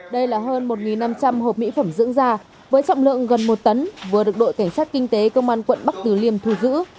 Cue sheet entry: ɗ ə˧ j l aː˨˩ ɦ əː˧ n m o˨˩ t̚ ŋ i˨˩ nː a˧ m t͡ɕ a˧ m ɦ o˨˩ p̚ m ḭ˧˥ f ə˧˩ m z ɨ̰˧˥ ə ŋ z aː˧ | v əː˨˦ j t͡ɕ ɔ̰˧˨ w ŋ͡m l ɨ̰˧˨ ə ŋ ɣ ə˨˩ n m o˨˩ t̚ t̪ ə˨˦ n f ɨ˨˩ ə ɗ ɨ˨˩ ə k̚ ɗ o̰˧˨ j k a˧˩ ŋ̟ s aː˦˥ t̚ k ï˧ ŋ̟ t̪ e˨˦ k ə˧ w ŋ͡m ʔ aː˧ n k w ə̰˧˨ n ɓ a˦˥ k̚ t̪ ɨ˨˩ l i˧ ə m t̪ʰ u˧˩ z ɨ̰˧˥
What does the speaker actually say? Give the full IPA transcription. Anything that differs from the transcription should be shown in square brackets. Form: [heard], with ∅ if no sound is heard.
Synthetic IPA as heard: ɗ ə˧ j l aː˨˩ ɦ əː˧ n m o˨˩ t̚ ŋ i˨˩ nː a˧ m t͡ɕ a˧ m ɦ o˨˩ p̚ m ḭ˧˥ f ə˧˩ m z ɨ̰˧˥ ə ŋ z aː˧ | v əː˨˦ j t͡ɕ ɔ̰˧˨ w ŋ͡m l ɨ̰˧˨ ə ŋ ɣ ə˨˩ n m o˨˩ t̚ t̪ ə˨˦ n [v] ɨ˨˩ ə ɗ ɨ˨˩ ə k̚ ɗ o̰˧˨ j k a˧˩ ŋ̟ s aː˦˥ t̚ k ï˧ ŋ̟ t̪ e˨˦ k ə˧ w ŋ͡m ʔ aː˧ n k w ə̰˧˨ n ɓ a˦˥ k̚ t̪ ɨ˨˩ l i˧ ə m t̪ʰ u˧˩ z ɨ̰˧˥